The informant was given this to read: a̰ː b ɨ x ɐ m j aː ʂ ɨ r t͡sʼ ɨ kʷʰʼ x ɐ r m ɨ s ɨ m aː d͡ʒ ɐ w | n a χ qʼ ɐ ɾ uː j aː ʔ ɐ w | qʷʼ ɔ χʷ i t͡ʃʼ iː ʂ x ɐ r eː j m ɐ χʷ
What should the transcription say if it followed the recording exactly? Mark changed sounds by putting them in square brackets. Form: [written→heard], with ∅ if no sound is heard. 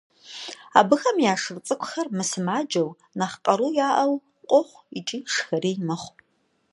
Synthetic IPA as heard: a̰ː b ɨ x ɐ m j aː ʂ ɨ r t͡sʼ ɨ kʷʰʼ x ɐ r m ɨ s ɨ m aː d͡ʒ ɐ w | n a χ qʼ ɐ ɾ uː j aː ʔ ɐ w | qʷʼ ɔ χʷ i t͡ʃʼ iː ʂ x ɐ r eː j m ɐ χʷ